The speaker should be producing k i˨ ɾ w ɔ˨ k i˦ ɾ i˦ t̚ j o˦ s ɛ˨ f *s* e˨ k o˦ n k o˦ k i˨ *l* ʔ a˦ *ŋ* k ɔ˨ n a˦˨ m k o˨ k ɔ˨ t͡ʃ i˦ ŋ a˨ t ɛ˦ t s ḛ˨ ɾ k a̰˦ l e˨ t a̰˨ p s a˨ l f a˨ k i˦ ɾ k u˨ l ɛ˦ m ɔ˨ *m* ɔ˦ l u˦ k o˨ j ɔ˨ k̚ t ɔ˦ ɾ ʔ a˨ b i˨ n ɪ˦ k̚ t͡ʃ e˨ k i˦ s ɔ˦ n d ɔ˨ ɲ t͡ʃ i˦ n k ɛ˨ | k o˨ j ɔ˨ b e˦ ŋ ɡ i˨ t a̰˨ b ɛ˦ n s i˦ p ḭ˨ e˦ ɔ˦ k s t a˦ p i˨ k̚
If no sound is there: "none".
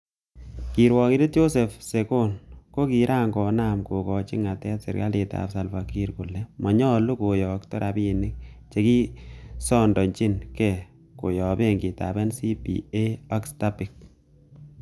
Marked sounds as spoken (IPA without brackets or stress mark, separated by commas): s, ɾ, ŋ, ɲ